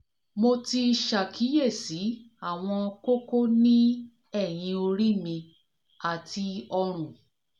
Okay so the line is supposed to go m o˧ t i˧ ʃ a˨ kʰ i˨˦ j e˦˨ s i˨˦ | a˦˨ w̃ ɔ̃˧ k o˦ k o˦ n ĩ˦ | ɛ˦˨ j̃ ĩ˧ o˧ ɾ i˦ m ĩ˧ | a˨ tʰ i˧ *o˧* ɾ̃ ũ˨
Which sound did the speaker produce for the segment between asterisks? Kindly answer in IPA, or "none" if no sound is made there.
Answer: ɔ˧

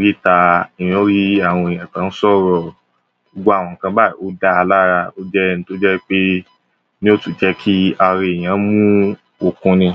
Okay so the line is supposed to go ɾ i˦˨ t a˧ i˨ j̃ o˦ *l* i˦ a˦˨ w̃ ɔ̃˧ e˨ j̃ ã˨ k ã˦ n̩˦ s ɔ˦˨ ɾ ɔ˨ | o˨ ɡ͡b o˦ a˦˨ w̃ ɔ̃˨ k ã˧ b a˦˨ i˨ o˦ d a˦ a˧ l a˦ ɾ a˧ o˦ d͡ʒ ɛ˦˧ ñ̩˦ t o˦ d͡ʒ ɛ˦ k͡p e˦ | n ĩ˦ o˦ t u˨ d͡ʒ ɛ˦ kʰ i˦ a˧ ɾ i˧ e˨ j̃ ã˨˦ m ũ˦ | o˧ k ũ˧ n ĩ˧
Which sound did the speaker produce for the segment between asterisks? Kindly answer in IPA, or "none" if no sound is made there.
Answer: ɾ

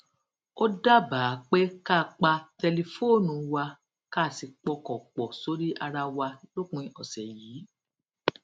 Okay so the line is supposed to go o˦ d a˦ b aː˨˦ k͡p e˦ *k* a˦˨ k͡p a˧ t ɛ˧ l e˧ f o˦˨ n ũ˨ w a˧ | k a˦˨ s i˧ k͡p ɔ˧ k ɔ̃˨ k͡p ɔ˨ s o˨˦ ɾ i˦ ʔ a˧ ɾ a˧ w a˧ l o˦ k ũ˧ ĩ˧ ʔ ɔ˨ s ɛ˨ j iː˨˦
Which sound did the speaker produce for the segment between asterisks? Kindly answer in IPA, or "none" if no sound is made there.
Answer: k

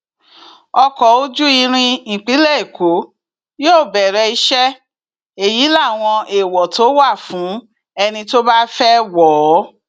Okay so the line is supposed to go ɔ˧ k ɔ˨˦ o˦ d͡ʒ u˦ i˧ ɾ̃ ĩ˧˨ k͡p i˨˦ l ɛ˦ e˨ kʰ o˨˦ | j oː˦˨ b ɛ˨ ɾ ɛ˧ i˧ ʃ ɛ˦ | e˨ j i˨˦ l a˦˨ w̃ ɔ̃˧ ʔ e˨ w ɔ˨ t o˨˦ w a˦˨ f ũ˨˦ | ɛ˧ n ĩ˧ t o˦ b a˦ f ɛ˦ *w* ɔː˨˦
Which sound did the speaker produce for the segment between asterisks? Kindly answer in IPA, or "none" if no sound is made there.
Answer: w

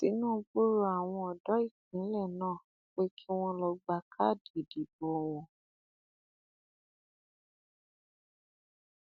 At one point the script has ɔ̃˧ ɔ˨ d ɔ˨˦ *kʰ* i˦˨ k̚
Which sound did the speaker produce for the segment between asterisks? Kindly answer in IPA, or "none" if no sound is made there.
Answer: none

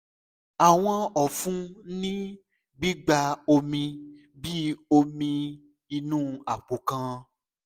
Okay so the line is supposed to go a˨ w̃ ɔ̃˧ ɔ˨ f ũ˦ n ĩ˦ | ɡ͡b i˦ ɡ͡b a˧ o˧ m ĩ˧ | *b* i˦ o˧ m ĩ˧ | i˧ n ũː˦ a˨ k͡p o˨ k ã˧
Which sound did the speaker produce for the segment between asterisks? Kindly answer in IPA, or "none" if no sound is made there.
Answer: b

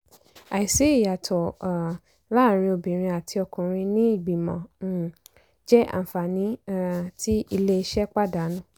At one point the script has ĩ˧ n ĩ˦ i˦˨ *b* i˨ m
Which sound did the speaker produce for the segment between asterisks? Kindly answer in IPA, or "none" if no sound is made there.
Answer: ɡ͡b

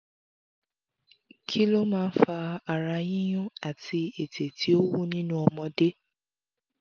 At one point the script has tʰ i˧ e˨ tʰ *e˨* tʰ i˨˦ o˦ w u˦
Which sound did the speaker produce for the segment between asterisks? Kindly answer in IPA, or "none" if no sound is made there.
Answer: e˨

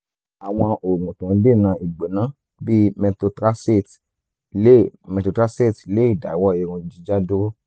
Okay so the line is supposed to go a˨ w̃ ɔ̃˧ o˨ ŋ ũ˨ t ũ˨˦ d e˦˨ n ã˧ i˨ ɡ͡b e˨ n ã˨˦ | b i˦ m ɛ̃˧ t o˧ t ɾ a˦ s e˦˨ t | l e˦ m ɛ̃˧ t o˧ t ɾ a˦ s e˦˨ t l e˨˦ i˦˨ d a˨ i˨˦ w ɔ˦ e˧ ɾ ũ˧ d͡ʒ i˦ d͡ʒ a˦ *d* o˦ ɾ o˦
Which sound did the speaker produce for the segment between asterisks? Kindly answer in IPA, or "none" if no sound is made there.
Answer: d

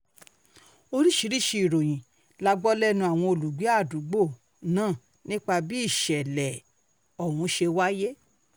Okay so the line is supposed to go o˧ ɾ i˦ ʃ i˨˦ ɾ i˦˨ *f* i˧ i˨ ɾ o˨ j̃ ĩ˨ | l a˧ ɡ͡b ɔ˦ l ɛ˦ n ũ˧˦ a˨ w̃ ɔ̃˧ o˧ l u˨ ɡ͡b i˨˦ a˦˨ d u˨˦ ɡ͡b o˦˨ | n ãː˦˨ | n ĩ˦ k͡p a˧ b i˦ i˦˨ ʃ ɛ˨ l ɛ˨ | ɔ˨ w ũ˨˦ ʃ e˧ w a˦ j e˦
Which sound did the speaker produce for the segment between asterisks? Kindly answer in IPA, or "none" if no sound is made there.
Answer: ʃ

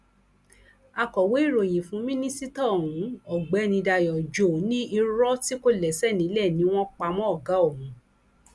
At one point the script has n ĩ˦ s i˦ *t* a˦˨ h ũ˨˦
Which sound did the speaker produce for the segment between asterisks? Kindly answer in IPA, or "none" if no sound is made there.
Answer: t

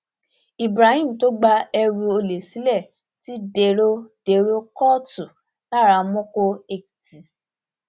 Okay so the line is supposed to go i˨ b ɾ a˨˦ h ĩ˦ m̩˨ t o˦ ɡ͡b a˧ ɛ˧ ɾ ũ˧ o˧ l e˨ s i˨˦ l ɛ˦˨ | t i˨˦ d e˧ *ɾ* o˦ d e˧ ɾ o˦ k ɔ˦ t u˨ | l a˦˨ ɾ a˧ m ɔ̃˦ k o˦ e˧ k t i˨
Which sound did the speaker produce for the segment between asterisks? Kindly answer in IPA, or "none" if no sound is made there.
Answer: ɾ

